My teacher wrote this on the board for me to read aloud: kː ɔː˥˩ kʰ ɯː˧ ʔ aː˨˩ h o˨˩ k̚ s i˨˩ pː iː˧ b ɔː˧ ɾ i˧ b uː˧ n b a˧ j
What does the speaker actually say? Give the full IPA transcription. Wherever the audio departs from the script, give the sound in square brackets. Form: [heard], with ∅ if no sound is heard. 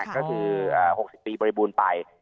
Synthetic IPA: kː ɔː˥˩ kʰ ɯː˧ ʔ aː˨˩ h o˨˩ k̚ s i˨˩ pː iː˧ b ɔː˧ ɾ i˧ b uː˧ n [p] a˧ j

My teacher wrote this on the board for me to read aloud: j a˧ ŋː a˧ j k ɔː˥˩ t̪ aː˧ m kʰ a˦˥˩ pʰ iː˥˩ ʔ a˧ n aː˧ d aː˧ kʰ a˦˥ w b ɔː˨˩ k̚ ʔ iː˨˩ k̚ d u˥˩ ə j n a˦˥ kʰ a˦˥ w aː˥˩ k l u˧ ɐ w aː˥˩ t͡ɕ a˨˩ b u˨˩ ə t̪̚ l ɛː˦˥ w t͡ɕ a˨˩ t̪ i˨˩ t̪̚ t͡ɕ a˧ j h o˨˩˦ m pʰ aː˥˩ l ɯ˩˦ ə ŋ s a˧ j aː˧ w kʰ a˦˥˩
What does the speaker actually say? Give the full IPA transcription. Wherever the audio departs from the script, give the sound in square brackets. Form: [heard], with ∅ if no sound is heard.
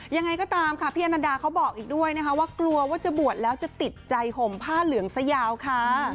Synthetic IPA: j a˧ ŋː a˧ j k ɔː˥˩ t̪ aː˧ m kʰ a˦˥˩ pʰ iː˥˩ ʔ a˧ n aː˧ d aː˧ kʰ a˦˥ w b ɔː˨˩ k̚ ʔ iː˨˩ k̚ d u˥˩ ə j n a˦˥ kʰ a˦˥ w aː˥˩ k l u˧ ɐ w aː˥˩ t͡ɕ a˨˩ b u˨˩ ə t̪̚ l ɛː˦˥ w t͡ɕ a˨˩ t̪ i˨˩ t̪̚ t͡ɕ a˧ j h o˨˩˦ m pʰ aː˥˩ l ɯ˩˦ ə ŋ s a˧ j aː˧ w kʰ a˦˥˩

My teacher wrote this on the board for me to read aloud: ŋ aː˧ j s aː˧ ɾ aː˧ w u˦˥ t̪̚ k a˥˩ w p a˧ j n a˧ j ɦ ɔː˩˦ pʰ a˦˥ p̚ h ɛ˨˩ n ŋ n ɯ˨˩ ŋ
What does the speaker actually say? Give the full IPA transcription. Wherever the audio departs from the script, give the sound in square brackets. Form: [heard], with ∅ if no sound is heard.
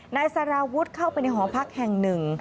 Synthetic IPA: [n] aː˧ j s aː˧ ɾ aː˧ w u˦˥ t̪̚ [kʰ] a˥˩ w p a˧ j n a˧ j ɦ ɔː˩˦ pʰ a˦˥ [k̚] h ɛ˨˩ [∅] ŋ n ɯ˨˩ ŋ

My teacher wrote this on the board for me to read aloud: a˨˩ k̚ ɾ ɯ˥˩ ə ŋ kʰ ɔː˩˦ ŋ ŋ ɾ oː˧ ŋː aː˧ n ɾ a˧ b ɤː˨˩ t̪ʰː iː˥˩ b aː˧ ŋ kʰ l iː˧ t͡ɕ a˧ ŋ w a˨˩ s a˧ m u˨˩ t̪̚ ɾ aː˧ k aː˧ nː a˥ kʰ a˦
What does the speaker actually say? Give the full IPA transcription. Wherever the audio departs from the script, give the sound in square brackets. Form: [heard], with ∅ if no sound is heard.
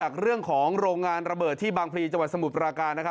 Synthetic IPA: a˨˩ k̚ ɾ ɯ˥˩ ə ŋ kʰ ɔː˩˦ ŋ ŋ ɾ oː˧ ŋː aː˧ n ɾ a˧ b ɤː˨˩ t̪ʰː iː˥˩ b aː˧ ŋ [pʰ] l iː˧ t͡ɕ a˧ ŋ w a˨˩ s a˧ m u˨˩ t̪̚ ɾ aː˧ k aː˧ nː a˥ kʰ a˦

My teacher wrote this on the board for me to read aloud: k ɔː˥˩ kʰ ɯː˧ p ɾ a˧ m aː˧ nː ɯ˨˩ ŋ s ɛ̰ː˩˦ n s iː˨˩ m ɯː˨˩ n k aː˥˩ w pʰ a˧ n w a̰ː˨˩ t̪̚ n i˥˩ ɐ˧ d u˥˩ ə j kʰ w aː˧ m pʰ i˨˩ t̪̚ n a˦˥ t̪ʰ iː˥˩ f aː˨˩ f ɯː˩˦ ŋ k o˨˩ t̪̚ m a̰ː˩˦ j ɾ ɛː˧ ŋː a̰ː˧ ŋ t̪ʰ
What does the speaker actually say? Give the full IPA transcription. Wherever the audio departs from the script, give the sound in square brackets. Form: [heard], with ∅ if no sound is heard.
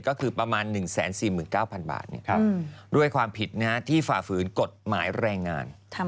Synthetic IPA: k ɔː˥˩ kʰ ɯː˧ p ɾ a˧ m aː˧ nː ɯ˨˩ ŋ s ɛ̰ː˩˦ n s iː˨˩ m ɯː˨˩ n k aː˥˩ w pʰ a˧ n [b] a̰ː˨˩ t̪̚ n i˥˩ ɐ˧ d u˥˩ ə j kʰ w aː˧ m pʰ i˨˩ t̪̚ n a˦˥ t̪ʰ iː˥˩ f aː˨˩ f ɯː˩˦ [n] k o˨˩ t̪̚ m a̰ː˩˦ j ɾ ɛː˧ ŋː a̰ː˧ [n] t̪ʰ

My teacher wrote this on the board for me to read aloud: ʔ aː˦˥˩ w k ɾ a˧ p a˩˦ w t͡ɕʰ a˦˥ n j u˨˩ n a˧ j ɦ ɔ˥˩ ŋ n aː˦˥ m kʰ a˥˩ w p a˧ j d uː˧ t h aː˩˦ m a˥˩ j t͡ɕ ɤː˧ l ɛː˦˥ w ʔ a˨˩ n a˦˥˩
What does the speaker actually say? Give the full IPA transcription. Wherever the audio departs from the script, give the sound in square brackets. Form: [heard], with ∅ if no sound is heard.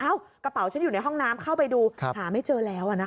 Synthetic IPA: ʔ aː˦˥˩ w k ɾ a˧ p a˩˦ w t͡ɕʰ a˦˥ n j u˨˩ n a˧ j ɦ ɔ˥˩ ŋ n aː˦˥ m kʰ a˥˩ w p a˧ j d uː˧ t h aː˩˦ m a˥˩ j t͡ɕ ɤː˧ l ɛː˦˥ w ʔ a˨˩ n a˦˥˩

